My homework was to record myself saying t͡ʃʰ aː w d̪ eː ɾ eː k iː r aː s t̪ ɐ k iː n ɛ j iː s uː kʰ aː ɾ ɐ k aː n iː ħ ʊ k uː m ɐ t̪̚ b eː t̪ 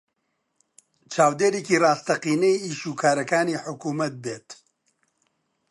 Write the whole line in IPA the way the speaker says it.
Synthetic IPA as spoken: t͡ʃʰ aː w d̪ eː ɾ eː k iː r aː s t̪ ɐ q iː n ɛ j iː ʃ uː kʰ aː ɾ ɐ k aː n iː ħ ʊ k uː m ɐ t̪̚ b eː t̪